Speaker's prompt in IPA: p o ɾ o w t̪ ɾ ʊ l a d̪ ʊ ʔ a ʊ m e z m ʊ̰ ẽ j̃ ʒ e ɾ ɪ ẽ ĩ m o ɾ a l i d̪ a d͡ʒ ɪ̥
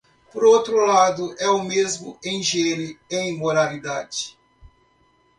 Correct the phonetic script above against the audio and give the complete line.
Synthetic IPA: p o ɾ o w t̪ ɾ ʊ l a d̪ ʊ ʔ ɛ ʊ m e z m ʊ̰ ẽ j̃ ʒ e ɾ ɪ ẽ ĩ m o ɾ a l i d̪ a d͡ʒ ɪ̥